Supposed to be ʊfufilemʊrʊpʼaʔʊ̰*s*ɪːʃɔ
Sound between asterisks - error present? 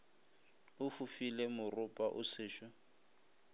no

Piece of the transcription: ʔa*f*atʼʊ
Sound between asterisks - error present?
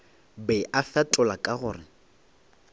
no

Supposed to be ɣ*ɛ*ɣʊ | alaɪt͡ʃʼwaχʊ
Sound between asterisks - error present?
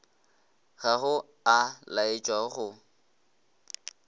yes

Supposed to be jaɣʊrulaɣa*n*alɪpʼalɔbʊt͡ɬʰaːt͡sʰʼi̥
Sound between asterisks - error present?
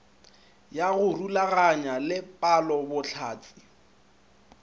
yes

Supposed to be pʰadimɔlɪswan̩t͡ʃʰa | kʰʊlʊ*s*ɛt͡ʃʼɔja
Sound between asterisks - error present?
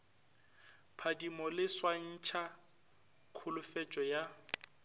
yes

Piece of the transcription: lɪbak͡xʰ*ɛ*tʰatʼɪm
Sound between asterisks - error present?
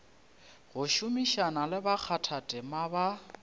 yes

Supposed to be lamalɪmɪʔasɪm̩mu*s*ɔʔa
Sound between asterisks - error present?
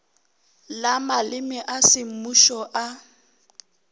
yes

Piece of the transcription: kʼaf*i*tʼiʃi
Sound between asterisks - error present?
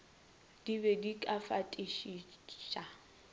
yes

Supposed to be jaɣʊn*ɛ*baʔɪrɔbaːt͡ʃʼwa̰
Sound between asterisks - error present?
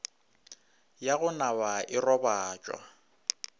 yes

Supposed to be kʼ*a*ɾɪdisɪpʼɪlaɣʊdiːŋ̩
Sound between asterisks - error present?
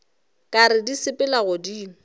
no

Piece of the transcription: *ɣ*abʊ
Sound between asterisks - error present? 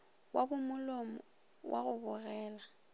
yes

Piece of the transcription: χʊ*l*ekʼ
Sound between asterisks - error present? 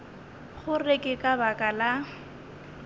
yes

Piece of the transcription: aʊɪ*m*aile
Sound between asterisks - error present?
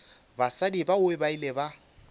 yes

